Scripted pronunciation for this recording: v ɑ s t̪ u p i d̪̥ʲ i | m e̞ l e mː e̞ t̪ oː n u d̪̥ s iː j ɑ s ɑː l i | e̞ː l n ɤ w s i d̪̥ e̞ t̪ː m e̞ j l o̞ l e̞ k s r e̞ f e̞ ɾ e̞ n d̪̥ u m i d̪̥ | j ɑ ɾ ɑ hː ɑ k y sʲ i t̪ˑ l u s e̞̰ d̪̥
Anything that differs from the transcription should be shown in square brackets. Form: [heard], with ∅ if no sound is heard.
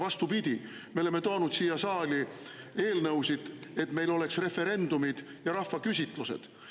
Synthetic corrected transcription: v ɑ s t̪ u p i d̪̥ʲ i | m e̞ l e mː e̞ t̪ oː n u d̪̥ s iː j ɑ s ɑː l i | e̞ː l n ɤ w s i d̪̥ e̞ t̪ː m e̞ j l o̞ l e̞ k s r e̞ f e̞ ɾ e̞ n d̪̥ u m i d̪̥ | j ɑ ɾ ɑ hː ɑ k y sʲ i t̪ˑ l u s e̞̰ d̪̥